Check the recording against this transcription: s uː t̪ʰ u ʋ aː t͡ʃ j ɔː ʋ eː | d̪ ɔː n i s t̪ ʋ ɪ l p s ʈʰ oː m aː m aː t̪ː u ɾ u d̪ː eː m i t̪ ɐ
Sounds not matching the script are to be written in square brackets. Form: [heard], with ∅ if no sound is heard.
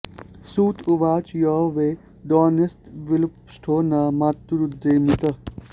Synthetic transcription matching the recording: s uː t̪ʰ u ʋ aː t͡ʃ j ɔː ʋ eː | d̪ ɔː n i s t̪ ʋ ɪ l p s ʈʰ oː [n] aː m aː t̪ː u ɾ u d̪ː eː m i t̪ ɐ